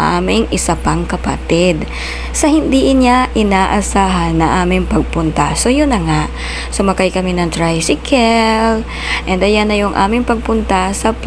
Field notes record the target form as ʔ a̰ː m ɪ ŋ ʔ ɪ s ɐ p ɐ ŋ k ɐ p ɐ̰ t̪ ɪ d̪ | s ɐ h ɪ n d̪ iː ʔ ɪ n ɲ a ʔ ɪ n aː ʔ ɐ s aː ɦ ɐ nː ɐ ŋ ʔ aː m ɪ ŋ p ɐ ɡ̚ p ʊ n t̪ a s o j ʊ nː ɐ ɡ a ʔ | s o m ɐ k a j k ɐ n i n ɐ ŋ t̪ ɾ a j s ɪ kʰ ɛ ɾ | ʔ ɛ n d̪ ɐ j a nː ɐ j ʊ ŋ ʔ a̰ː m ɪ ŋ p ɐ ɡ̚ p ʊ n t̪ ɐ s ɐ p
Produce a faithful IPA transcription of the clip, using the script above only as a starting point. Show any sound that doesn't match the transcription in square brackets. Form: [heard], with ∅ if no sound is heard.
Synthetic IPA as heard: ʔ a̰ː m ɪ ŋ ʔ ɪ s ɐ p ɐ ŋ k ɐ p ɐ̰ t̪ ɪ d̪ | s ɐ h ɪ n d̪ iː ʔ ɪ n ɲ a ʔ ɪ n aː ʔ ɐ s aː ɦ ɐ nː ɐ ŋ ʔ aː m ɪ ŋ p ɐ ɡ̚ p ʊ n t̪ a s o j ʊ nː ɐ [ŋ] a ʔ | s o m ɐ k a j k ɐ [m] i n ɐ ŋ t̪ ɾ a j s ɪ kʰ ɛ [l] | ʔ ɛ n d̪ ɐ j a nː ɐ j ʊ ŋ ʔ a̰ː m ɪ ŋ p ɐ ɡ̚ p ʊ n t̪ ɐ s ɐ p